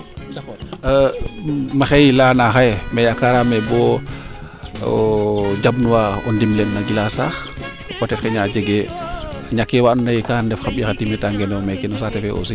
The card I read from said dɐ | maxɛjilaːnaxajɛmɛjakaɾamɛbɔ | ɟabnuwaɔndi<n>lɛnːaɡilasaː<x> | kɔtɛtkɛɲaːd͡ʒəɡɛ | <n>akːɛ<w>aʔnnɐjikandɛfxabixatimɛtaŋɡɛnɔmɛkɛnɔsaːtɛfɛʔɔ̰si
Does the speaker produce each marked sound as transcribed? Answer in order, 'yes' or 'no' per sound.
no, yes, no, yes

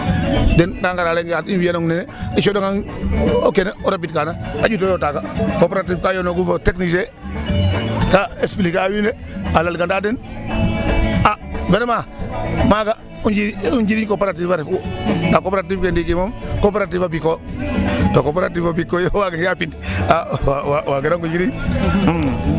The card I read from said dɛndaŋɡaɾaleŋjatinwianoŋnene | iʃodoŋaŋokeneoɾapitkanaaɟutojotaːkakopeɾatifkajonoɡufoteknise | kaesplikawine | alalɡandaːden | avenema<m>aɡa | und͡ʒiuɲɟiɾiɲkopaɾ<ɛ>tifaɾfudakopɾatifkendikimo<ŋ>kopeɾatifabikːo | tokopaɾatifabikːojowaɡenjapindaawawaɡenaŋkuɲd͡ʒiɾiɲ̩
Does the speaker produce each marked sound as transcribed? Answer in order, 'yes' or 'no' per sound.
yes, no, no

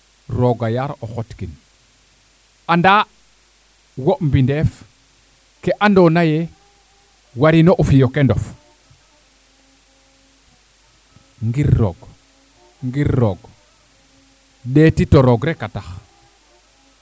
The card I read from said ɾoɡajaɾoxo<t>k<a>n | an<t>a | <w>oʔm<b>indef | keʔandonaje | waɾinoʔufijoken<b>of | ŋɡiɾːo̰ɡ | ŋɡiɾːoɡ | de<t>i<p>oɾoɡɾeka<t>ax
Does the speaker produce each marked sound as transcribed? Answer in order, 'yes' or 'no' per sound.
yes, no, no, yes, yes, no, yes, no, yes

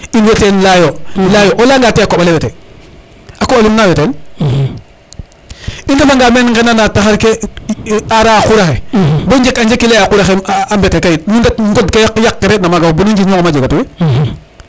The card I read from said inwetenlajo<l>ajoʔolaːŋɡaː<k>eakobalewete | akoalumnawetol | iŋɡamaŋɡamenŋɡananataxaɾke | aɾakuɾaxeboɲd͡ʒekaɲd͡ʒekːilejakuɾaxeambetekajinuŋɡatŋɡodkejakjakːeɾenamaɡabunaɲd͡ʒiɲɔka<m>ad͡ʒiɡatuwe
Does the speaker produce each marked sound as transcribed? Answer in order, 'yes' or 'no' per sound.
yes, no, yes

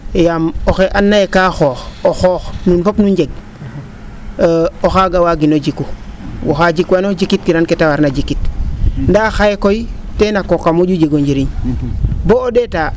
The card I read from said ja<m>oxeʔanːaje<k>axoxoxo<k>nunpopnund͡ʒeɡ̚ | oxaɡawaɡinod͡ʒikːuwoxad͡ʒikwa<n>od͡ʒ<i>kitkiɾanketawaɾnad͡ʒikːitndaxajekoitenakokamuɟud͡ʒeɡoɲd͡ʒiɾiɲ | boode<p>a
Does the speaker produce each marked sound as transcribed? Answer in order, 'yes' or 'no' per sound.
yes, yes, no, yes, yes, no

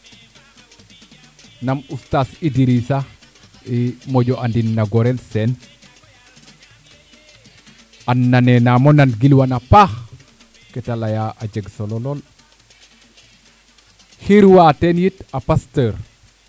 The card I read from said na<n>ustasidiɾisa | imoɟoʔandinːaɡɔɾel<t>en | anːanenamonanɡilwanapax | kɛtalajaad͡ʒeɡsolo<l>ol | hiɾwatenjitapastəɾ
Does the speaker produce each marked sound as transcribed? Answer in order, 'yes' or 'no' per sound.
no, no, yes

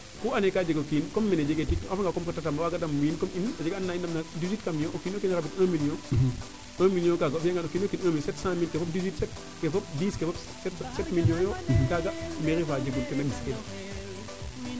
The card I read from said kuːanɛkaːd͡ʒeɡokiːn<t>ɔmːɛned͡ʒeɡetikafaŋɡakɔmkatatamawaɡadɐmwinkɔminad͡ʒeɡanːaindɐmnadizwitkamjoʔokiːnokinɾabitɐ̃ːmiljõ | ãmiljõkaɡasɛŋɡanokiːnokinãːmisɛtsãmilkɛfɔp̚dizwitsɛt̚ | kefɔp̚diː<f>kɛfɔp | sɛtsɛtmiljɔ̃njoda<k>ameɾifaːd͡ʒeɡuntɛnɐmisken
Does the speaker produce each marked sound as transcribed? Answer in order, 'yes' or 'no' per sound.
no, no, no

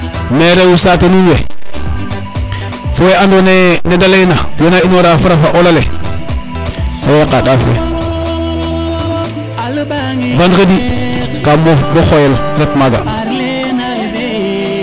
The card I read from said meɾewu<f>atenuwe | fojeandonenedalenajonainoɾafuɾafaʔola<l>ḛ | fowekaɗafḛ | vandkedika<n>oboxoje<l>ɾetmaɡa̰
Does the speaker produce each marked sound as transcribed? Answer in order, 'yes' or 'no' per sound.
no, yes, no, yes

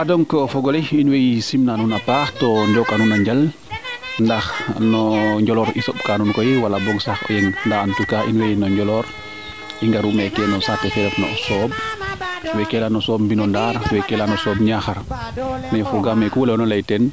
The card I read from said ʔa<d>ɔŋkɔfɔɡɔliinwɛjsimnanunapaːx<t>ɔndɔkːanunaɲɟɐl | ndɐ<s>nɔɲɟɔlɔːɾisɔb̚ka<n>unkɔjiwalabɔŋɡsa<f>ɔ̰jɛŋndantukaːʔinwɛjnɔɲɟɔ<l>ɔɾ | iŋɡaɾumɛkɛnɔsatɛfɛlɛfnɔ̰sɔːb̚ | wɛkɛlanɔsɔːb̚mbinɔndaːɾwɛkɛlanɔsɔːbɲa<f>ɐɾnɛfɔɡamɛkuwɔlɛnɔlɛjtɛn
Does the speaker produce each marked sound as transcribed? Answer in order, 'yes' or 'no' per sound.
yes, yes, no, yes, no, yes, no

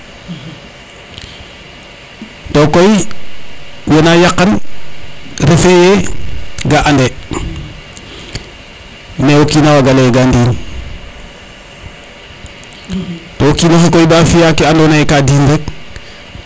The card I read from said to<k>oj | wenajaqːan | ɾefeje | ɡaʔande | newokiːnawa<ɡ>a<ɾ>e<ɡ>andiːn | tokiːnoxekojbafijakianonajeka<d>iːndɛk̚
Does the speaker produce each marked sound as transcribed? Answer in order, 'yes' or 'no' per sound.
yes, yes, no, yes, yes

